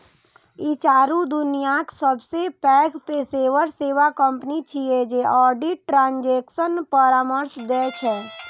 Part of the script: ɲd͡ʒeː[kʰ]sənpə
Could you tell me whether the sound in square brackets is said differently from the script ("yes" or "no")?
yes